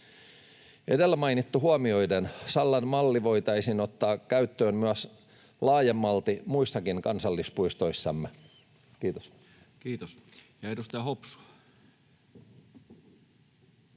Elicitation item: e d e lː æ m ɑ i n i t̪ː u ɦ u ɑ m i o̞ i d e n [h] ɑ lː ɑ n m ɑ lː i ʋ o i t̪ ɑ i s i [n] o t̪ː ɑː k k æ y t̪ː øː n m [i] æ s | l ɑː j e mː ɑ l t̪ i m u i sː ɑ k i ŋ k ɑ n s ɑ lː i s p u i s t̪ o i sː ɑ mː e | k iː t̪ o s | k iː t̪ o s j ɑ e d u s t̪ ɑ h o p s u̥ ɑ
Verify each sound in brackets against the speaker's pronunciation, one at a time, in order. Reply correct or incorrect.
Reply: incorrect: s, correct, incorrect: y

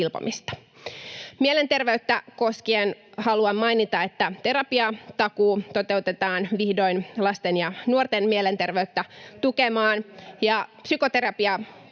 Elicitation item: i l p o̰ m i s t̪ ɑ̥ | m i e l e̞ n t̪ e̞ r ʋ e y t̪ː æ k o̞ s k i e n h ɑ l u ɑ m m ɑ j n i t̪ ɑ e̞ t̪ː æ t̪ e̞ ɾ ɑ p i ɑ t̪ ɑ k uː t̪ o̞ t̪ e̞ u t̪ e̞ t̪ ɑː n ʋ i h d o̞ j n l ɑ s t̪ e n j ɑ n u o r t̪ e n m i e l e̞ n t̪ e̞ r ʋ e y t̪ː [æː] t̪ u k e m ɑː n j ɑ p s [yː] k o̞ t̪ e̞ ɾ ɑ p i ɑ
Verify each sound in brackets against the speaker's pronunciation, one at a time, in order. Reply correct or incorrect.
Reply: incorrect: æ, incorrect: y

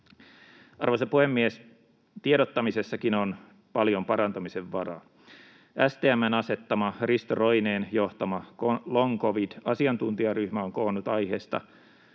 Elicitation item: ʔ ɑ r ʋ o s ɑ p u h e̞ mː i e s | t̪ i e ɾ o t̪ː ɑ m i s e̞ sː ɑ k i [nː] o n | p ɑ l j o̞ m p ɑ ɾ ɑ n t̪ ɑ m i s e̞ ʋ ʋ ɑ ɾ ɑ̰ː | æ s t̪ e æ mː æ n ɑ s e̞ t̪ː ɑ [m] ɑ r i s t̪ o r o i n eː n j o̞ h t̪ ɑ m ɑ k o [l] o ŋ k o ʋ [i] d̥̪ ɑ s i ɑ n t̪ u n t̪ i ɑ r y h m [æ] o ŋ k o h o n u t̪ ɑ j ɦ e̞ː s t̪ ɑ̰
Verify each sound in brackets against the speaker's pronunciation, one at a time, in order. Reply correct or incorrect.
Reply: incorrect: n, correct, correct, correct, correct

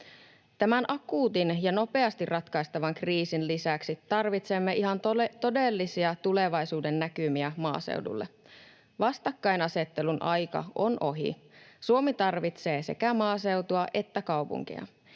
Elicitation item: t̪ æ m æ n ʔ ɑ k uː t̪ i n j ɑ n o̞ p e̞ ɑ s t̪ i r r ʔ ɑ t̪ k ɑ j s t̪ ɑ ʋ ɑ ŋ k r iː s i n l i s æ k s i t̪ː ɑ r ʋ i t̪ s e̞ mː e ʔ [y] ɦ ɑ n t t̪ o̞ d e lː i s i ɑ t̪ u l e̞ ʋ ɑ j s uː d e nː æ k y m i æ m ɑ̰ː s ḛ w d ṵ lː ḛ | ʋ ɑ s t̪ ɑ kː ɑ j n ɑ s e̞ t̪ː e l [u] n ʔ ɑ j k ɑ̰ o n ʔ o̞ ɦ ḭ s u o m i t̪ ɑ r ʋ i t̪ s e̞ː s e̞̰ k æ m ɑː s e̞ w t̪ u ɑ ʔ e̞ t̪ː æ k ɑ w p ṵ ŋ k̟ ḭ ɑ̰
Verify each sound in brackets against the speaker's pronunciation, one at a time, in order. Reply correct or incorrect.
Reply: incorrect: i, correct

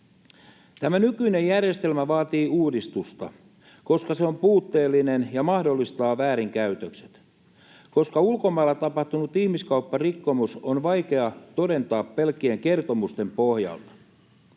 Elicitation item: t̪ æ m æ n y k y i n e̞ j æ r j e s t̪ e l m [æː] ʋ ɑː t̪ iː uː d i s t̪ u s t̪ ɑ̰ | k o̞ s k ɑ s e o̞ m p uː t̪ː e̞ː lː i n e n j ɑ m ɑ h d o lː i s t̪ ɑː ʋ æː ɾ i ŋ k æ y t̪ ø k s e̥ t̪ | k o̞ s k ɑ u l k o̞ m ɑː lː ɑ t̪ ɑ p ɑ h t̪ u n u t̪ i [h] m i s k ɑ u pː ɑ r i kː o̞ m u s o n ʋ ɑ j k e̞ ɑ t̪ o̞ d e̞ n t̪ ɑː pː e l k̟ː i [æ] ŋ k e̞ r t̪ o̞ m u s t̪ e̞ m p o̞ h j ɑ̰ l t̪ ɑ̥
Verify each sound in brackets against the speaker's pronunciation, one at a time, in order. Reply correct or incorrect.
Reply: incorrect: æ, correct, incorrect: e

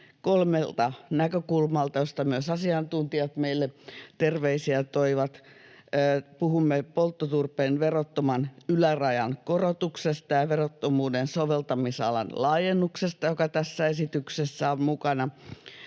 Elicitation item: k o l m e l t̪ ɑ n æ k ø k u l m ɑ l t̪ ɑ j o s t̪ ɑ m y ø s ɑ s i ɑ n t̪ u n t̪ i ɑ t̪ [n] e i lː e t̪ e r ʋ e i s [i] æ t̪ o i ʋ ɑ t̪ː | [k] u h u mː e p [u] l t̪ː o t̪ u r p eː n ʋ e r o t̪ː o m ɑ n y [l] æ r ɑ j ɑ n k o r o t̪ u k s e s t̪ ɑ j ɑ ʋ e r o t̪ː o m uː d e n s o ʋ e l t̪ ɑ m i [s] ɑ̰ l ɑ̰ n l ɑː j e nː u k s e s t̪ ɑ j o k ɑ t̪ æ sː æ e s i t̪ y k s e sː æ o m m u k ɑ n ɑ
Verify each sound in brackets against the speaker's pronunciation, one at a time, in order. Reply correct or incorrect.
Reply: incorrect: m, correct, incorrect: p, incorrect: o, correct, correct

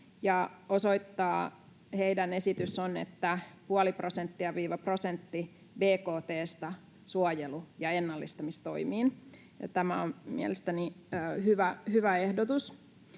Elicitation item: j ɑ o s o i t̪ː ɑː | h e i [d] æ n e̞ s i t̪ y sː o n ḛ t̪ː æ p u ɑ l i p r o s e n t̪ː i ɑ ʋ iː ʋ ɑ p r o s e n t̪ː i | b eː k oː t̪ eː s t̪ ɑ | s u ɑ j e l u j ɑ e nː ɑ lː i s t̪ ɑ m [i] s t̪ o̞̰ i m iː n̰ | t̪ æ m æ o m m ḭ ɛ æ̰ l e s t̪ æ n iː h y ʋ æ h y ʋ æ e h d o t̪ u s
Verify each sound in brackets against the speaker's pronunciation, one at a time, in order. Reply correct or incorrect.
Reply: correct, correct

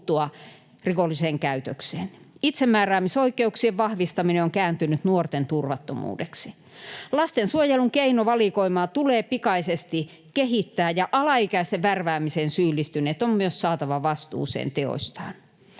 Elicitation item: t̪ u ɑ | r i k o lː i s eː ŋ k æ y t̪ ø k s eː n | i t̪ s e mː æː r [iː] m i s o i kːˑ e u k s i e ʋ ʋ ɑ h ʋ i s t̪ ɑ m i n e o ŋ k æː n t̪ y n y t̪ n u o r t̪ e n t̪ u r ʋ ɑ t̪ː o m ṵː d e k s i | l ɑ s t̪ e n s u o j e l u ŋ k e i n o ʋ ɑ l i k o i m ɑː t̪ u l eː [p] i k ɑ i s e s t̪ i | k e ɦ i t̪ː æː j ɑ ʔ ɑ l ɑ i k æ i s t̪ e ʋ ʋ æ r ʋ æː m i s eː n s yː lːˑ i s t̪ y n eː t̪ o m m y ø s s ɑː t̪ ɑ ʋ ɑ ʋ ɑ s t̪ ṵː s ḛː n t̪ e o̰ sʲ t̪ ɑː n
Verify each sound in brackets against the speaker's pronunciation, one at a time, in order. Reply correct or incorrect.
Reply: incorrect: æː, correct

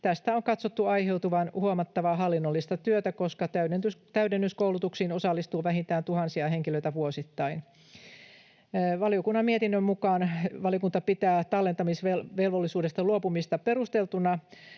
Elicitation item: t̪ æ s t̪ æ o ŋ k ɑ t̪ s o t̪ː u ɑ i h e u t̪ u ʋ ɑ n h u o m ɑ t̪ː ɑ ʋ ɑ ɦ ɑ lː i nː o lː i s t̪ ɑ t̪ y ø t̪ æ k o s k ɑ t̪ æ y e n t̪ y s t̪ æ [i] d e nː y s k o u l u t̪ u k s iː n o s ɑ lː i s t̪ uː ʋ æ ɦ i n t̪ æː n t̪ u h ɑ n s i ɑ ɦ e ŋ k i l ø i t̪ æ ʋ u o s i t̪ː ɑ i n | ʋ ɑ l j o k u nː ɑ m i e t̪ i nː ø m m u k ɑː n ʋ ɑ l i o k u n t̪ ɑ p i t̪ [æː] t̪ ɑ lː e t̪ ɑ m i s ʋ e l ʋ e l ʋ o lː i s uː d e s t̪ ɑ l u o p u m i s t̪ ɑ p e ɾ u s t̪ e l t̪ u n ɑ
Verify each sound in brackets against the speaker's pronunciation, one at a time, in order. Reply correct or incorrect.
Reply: incorrect: y, correct

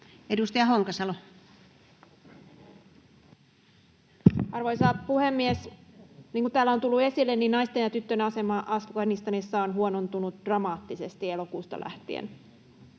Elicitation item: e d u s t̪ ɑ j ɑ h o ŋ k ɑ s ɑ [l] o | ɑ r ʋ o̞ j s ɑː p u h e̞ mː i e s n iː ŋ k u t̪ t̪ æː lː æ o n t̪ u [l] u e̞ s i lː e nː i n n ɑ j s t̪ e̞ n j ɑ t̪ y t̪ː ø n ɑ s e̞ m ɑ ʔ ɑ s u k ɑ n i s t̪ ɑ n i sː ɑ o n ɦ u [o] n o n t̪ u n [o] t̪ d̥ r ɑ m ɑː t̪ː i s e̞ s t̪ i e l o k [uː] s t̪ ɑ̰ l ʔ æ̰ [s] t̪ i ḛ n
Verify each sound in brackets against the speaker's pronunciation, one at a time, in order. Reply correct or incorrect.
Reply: correct, incorrect: lː, correct, incorrect: u, correct, incorrect: h

